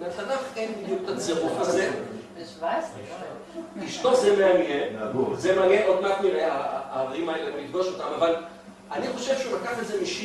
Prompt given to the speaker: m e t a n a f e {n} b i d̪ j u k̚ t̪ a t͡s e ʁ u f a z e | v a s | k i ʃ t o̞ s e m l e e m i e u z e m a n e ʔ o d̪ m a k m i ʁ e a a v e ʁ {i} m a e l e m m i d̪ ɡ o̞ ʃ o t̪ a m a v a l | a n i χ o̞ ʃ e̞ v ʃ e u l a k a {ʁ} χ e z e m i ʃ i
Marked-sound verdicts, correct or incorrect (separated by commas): correct, correct, incorrect